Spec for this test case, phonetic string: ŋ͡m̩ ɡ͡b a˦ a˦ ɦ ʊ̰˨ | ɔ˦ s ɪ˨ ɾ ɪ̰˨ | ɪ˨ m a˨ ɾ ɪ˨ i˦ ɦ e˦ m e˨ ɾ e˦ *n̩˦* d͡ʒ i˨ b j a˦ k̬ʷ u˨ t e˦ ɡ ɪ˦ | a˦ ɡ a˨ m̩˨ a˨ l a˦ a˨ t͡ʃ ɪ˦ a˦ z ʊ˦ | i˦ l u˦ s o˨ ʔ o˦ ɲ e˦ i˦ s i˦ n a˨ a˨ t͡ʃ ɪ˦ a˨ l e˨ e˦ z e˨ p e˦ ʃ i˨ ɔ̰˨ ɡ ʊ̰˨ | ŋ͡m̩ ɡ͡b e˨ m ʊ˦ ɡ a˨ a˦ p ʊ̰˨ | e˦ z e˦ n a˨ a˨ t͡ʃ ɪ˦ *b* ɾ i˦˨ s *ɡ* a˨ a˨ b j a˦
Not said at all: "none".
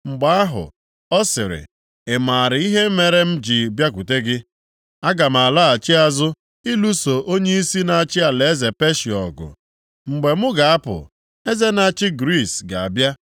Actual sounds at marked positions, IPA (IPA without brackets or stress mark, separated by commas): m̩˦, ɡ, ɡ